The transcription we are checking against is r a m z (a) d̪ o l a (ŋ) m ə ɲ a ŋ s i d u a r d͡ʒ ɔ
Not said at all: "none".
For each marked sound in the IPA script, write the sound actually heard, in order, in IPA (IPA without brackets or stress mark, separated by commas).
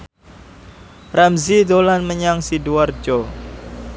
i, n